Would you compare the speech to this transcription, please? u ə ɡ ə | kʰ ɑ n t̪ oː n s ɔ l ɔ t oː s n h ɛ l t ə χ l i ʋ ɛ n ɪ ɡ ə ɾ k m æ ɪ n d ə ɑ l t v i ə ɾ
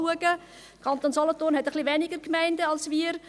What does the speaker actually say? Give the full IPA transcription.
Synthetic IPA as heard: u ə ɡ ə | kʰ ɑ n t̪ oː n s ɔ l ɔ t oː n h ɛ t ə χ l i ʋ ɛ n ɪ ɡ ə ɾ k m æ ɪ n d ə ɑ l s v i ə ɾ